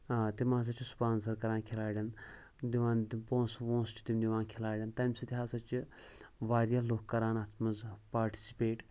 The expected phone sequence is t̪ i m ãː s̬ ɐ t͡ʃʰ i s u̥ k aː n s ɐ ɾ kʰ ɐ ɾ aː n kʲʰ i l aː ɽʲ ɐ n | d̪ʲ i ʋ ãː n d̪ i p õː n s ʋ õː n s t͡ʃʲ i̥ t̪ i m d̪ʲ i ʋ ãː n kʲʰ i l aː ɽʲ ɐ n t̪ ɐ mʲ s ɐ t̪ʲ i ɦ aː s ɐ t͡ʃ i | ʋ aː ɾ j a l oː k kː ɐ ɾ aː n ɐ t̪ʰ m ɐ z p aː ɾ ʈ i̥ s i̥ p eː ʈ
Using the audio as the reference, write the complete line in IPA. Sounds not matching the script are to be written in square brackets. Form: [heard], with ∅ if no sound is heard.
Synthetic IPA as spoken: t̪ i m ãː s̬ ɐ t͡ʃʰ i s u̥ [p] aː n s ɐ ɾ [k] ɐ ɾ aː n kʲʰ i l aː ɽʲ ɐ n | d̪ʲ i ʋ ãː n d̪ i p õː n s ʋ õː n s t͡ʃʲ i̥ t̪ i m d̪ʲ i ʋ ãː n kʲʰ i l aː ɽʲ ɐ n t̪ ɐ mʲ s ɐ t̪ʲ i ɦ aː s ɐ t͡ʃ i | ʋ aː ɾ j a l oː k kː ɐ ɾ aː n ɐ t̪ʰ m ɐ z p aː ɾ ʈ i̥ s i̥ p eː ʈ